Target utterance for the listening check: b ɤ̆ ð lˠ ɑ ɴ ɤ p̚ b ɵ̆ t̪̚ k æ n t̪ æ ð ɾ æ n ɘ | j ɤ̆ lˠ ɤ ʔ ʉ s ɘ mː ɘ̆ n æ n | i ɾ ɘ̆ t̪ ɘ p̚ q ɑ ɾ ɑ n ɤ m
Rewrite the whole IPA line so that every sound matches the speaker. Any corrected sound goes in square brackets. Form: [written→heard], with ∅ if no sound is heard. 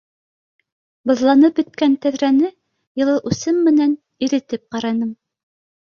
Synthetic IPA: b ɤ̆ ð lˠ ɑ [ɴ→n] ɤ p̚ b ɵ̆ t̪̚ k æ n t̪ æ ð ɾ æ n ɘ | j ɤ̆ lˠ ɤ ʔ ʉ s ɘ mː ɘ̆ n æ n | i ɾ ɘ̆ t̪ ɘ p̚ q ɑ ɾ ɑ n ɤ m

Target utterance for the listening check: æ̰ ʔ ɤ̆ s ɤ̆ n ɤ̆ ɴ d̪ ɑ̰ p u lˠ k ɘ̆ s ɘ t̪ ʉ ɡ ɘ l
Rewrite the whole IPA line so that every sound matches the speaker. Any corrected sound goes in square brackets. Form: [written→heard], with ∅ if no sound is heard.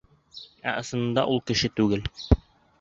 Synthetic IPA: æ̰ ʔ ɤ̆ s ɤ̆ n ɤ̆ [ɴ→n] d̪ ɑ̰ [p→ʔ] u lˠ k ɘ̆ [s→ʃ] ɘ t̪ ʉ ɡ ɘ l

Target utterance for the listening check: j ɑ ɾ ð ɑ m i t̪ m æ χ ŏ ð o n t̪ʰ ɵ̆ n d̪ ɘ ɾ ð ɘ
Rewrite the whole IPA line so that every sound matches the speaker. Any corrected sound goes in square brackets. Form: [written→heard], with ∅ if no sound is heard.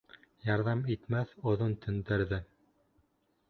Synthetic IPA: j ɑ ɾ ð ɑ m i t̪ m æ [χ→θ] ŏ ð o n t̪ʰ ɵ̆ n d̪ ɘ ɾ ð ɘ

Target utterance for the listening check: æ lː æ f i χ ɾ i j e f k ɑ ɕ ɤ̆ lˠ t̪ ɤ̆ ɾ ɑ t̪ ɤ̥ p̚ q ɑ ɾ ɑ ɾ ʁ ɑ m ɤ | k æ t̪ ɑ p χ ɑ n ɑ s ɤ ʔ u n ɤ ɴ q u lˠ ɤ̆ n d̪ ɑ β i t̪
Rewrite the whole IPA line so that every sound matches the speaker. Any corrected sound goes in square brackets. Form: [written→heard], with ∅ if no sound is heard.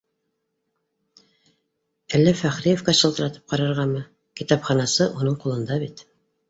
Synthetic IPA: æ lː æ f [i→æ] χ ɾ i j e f k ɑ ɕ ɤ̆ lˠ t̪ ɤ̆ ɾ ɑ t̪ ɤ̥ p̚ q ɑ ɾ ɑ ɾ ʁ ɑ m ɤ | k [æ→i] t̪ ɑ p χ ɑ n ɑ s ɤ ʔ u n ɤ ɴ q u lˠ ɤ̆ n d̪ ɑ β i t̪

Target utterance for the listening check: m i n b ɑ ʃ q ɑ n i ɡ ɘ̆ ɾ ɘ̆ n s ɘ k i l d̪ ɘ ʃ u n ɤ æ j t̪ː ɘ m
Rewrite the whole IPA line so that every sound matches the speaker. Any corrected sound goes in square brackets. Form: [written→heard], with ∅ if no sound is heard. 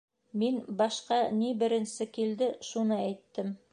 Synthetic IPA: m i n b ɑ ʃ q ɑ n i [ɡ→b] ɘ̆ ɾ ɘ̆ n s ɘ k i l d̪ ɘ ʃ u n ɤ æ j t̪ː ɘ m

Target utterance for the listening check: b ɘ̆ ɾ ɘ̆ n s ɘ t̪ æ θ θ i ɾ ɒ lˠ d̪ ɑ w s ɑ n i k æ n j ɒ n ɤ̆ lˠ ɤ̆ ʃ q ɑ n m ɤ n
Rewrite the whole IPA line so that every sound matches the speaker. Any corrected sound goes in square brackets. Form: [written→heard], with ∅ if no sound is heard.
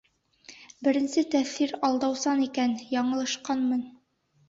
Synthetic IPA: b ɘ̆ ɾ ɘ̆ n s ɘ t̪ æ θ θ i ɾ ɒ lˠ d̪ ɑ w s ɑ n i k æ n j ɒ [n→ɴ] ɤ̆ lˠ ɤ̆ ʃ q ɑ n m ɤ n

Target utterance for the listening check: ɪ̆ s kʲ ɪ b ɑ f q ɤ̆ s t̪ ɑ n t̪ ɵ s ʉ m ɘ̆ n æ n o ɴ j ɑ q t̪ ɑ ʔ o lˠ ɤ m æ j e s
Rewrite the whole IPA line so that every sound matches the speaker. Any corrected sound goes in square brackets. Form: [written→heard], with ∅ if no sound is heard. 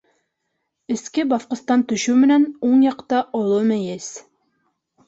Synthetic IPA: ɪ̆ s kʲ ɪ b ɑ f q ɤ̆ s t̪ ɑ n t̪ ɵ [s→ʃ] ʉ m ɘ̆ n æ n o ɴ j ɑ q t̪ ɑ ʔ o lˠ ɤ m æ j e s

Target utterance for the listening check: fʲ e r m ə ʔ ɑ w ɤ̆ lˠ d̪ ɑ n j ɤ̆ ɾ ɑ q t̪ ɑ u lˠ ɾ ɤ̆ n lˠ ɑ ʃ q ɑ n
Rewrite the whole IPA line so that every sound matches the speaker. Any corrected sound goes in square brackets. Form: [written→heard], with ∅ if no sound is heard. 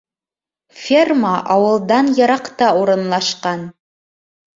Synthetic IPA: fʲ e r m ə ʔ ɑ w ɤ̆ lˠ d̪ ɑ n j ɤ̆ ɾ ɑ q t̪ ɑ u [lˠ→∅] ɾ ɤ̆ n lˠ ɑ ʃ q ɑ n

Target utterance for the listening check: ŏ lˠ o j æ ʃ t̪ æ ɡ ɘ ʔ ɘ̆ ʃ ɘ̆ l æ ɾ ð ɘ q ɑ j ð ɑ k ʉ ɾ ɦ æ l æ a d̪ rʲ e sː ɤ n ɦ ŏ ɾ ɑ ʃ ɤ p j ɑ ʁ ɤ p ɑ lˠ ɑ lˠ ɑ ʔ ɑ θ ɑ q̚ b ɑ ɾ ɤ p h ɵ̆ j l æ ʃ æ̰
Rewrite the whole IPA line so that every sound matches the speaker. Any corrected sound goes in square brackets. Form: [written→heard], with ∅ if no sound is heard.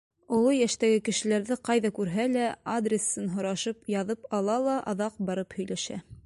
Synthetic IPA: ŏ lˠ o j æ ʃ t̪ æ ɡ ɘ [ʔ→k] ɘ̆ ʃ ɘ̆ l æ ɾ ð ɘ q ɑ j ð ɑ k ʉ ɾ ɦ æ l æ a d̪ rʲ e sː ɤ n ɦ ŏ ɾ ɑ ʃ ɤ p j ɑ [ʁ→ð] ɤ p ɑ lˠ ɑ lˠ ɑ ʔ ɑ [θ→ð] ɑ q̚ b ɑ ɾ ɤ p h ɵ̆ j l æ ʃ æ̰

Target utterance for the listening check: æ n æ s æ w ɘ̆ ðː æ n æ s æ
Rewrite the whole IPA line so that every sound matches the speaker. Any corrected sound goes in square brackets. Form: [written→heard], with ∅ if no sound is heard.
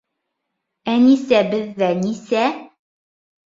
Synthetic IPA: æ n [æ→i] s æ [w→b] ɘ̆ ðː æ n [æ→i] s æ

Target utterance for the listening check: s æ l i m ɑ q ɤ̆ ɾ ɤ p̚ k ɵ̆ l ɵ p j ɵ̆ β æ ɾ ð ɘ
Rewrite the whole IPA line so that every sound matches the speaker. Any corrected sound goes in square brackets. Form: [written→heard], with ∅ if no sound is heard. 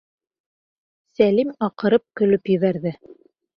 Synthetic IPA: s æ l i m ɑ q ɤ̆ ɾ ɤ p̚ k ɵ̆ l ɵ p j ɵ̆ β æ ɾ ð ɘ

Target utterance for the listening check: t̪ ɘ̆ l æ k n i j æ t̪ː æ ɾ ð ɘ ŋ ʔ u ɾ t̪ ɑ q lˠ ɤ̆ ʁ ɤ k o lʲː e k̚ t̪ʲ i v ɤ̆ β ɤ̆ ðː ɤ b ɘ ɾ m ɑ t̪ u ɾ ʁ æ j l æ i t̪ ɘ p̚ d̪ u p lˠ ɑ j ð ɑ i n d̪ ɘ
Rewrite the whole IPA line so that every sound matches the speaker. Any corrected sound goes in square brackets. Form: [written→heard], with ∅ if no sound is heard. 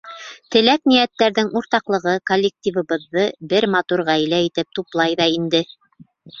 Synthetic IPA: t̪ ɘ̆ l æ k n i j æ t̪ː æ ɾ ð ɘ ŋ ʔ u ɾ t̪ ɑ q lˠ ɤ̆ ʁ ɤ k o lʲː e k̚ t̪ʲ i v ɤ̆ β ɤ̆ ðː ɤ b ɘ ɾ m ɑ t̪ u ɾ ʁ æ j l æ i t̪ ɘ p̚ [d̪→t̪] u p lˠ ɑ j ð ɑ i n d̪ ɘ

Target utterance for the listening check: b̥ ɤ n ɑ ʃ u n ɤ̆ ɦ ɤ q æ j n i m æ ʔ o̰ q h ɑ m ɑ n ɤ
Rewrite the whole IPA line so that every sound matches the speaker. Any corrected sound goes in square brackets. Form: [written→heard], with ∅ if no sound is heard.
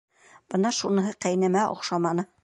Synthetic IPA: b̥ ɤ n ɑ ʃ u n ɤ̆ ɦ ɤ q æ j n [i→æ] m æ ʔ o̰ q [h→ʃ] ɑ m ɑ n ɤ

